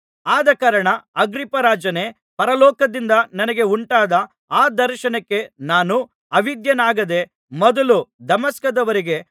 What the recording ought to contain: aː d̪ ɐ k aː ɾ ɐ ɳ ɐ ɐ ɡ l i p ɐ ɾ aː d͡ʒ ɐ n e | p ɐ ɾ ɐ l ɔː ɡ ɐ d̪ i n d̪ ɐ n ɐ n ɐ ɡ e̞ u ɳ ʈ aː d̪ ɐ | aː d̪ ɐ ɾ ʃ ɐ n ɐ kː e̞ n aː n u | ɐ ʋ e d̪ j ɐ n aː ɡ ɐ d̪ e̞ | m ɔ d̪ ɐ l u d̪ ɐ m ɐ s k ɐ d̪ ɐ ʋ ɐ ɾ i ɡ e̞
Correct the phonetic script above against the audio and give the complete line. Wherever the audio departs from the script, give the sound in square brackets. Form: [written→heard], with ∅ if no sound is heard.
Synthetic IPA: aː d̪ ɐ k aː ɾ ɐ ɳ ɐ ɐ ɡ [l→ɾ] i p ɐ ɾ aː d͡ʒ ɐ n e | p ɐ ɾ ɐ l ɔː [ɡ→k] ɐ d̪ i n d̪ ɐ n ɐ n ɐ ɡ e̞ u ɳ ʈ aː d̪ ɐ | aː d̪ ɐ ɾ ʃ ɐ n ɐ kː e̞ n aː n u | ɐ ʋ [e→i] d̪ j ɐ n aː ɡ ɐ d̪ e̞ | m ɔ d̪ ɐ l u d̪ ɐ m ɐ s k ɐ d̪ ɐ ʋ ɐ ɾ i ɡ e̞

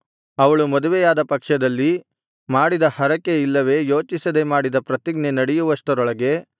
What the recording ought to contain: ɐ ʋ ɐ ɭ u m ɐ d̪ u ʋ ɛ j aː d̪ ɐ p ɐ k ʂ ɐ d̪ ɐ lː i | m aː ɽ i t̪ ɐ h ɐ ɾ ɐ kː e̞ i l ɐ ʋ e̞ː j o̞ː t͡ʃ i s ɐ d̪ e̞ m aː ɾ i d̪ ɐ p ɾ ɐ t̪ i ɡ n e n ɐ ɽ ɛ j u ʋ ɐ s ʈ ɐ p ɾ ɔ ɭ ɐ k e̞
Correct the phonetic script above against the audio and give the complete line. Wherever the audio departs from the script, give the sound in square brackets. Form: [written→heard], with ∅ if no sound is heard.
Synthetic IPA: ɐ ʋ ɐ ɭ u m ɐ d̪ u ʋ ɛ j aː d̪ ɐ p ɐ k ʂ ɐ d̪ ɐ lː i | m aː ɽ i [t̪→d̪] ɐ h ɐ ɾ ɐ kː e̞ i [l→lː] ɐ ʋ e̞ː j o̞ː t͡ʃ i s ɐ d̪ e̞ m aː [ɾ→ɽ] i d̪ ɐ p ɾ ɐ t̪ i ɡ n e n ɐ ɽ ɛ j u ʋ ɐ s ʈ ɐ [p→∅] ɾ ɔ ɭ ɐ [k→ɡ] e̞

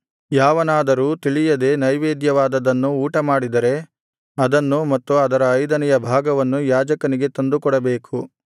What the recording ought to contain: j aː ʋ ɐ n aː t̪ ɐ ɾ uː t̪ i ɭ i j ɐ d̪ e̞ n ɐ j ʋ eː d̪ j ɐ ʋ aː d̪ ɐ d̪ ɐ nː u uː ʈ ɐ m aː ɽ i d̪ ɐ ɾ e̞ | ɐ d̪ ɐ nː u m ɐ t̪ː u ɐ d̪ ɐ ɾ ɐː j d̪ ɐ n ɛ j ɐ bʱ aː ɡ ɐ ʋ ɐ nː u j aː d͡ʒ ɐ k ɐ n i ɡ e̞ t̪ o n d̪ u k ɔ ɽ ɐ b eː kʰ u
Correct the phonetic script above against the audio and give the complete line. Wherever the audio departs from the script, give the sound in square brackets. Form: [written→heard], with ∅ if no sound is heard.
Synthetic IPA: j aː ʋ ɐ n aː [t̪→d̪] ɐ ɾ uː t̪ i ɭ i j ɐ d̪ e̞ n ɐ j ʋ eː d̪ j ɐ ʋ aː d̪ ɐ d̪ ɐ nː u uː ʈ ɐ m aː ɽ i d̪ ɐ ɾ e̞ | ɐ d̪ ɐ nː u m ɐ t̪ː u ɐ d̪ ɐ ɾ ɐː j d̪ ɐ n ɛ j ɐ bʱ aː ɡ ɐ ʋ ɐ nː u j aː d͡ʒ ɐ k ɐ n i ɡ e̞ t̪ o n d̪ u k ɔ ɽ ɐ b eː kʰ u

